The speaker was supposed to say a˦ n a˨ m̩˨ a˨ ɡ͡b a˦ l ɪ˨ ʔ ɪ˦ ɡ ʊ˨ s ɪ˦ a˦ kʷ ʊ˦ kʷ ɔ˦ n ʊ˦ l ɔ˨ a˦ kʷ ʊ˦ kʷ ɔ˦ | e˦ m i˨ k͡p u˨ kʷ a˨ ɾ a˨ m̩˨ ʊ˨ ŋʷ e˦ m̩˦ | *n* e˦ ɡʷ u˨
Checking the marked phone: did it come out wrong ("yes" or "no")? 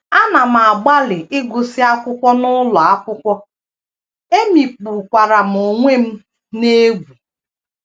no